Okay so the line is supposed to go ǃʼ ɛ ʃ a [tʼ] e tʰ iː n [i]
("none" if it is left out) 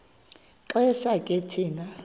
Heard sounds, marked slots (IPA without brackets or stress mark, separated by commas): kʼ, a